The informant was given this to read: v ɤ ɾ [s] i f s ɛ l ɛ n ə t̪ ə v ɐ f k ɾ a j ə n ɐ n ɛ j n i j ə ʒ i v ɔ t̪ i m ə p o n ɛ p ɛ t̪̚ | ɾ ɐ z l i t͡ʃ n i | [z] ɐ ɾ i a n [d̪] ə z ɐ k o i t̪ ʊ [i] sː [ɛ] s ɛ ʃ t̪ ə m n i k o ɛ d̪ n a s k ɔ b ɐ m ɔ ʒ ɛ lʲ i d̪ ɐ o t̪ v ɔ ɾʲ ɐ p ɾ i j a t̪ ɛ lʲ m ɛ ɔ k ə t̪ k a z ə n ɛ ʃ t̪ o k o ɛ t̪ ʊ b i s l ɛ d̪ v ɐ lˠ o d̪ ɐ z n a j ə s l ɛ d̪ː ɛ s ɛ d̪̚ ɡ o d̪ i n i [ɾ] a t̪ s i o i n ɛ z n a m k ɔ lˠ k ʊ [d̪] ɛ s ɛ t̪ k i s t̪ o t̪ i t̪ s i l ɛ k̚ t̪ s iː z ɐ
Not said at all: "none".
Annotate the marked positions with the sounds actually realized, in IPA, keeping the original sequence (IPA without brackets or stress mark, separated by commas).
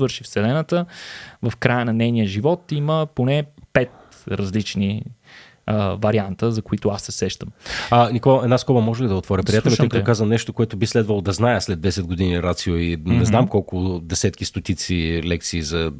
ʃ, v, t̪, a, ɛ, ɾ, d̪